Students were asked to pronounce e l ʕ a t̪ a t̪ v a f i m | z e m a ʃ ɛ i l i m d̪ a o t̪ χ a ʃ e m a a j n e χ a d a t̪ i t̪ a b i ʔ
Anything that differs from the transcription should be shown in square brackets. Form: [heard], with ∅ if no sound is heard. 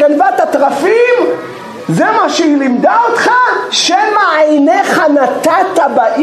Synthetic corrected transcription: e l [v] a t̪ a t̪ [ʁ] a f i m | z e m a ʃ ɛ i l i m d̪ a o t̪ χ a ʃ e m a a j n e χ a [n] a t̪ [a] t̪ a b [a] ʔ